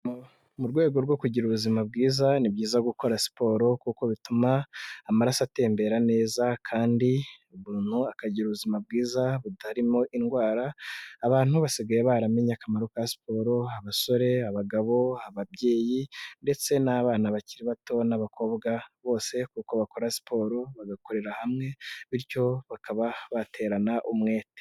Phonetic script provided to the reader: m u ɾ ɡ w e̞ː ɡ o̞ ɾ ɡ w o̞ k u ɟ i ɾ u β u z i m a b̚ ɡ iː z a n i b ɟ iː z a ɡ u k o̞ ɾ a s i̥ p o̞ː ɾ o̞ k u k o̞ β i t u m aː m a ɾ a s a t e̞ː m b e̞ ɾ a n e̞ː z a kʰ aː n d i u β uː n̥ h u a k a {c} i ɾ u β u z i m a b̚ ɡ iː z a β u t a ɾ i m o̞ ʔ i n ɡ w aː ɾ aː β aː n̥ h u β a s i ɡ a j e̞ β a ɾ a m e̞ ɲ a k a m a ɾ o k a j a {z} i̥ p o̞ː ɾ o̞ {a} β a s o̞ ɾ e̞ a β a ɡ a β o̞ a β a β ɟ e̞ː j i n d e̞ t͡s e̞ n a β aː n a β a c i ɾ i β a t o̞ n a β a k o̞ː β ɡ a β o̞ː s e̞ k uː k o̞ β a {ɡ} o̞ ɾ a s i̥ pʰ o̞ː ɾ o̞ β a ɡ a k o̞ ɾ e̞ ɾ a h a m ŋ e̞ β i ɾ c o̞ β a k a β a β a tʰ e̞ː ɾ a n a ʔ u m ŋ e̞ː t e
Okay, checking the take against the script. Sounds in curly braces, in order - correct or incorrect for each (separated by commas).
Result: incorrect, incorrect, correct, incorrect